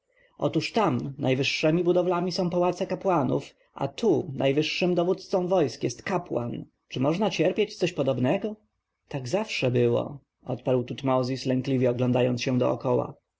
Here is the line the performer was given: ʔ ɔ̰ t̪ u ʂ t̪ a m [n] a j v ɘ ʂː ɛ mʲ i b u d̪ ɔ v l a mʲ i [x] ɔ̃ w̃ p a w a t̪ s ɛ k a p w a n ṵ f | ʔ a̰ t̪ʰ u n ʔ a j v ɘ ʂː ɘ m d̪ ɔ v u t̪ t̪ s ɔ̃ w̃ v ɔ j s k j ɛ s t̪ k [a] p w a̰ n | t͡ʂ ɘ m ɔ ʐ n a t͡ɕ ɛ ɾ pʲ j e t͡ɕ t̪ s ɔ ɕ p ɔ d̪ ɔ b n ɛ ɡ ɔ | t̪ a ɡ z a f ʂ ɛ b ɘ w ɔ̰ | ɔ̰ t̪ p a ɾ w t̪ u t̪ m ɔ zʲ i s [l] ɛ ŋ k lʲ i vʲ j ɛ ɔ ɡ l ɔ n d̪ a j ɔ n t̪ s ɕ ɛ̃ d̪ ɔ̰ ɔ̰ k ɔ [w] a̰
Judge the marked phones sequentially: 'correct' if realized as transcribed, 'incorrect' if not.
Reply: correct, incorrect: s, correct, correct, correct

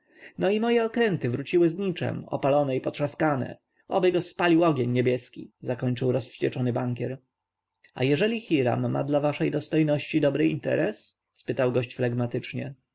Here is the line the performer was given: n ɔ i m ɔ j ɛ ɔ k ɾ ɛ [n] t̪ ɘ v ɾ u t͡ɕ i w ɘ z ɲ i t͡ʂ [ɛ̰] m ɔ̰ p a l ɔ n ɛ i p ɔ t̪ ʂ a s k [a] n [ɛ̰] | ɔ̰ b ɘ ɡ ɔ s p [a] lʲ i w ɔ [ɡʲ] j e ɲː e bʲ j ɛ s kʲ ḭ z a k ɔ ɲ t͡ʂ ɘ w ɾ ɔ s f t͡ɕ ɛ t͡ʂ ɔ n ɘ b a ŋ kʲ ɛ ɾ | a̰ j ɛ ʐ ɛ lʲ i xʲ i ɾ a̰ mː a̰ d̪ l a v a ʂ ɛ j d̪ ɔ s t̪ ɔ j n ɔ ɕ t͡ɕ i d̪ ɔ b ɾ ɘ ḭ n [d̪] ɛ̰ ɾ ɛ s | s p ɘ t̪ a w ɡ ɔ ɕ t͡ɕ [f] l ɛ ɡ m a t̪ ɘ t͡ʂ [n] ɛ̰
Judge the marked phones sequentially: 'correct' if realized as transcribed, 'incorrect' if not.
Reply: correct, correct, correct, correct, correct, correct, incorrect: t̪, correct, incorrect: ɲ

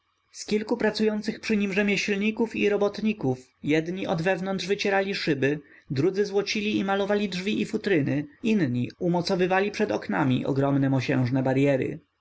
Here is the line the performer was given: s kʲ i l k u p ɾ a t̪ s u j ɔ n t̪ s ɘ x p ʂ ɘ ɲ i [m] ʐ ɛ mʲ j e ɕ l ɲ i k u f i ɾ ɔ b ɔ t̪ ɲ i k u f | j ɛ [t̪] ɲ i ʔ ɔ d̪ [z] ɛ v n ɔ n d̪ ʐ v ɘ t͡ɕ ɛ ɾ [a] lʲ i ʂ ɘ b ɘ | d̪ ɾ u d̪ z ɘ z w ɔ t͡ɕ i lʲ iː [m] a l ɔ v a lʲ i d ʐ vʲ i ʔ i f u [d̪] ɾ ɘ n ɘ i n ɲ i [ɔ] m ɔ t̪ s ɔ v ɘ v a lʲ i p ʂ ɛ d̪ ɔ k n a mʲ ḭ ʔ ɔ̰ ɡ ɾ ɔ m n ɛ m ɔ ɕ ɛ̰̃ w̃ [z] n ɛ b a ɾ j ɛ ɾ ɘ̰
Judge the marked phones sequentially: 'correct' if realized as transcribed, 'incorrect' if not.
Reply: correct, incorrect: d̪, incorrect: v, correct, correct, incorrect: t̪, incorrect: u, incorrect: ʐ

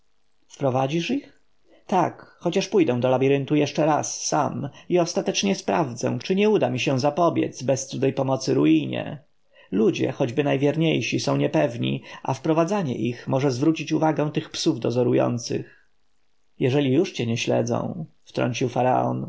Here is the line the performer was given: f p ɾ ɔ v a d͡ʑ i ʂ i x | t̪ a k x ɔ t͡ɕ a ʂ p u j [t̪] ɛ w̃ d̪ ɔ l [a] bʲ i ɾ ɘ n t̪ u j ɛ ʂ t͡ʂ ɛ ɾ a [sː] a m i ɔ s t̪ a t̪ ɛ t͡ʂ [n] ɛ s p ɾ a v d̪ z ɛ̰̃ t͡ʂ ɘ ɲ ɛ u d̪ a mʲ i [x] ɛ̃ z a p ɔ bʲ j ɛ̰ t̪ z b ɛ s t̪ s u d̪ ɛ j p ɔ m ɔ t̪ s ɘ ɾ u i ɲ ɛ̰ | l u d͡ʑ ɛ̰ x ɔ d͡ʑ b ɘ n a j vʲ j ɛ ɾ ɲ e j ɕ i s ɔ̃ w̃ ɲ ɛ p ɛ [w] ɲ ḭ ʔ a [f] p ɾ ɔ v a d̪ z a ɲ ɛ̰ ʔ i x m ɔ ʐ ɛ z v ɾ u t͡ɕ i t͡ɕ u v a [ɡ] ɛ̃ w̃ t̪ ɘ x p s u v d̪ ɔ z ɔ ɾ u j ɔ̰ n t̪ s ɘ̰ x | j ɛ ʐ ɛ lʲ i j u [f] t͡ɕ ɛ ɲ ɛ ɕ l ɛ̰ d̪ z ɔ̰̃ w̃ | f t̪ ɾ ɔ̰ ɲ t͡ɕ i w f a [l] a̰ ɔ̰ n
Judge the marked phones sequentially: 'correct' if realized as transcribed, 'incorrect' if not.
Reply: incorrect: d̪, correct, correct, incorrect: ɲ, incorrect: ɕ, incorrect: v, correct, correct, incorrect: ʂ, incorrect: ɾ

